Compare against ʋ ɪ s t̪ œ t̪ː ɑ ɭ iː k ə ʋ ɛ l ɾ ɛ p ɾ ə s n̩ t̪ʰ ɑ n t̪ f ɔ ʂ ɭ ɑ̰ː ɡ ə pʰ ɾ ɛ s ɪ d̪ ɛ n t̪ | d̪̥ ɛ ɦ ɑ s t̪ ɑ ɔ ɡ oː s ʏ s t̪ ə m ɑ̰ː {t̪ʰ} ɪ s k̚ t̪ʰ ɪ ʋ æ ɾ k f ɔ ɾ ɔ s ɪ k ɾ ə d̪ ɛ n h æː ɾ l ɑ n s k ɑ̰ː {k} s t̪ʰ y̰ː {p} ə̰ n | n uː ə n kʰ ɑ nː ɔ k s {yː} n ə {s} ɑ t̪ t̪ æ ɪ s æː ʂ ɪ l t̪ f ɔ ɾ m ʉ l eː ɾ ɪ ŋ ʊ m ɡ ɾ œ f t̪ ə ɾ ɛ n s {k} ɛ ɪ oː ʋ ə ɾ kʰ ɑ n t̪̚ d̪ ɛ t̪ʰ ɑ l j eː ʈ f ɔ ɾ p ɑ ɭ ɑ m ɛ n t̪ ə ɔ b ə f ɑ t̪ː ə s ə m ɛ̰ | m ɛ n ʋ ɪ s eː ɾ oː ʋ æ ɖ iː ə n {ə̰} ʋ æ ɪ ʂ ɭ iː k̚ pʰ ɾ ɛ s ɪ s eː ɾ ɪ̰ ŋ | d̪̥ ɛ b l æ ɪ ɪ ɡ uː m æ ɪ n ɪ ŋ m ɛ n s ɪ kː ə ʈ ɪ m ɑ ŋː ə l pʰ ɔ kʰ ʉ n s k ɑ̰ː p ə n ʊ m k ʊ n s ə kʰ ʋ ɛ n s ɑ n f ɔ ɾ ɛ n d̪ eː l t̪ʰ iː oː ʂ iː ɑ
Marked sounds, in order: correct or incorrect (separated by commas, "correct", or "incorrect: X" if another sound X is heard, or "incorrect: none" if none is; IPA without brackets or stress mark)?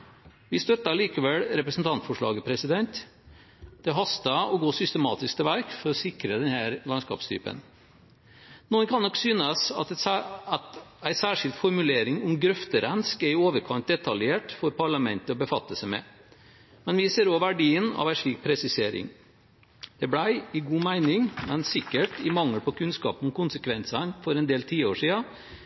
incorrect: t̪, incorrect: p, correct, correct, correct, correct, incorrect: ɑ̰